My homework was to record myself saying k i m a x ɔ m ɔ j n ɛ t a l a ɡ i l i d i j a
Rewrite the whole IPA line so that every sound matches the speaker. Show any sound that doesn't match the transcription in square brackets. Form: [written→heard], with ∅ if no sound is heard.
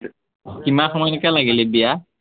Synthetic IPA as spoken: k i m a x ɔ m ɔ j n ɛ [t→k] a l a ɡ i l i [d→b] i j a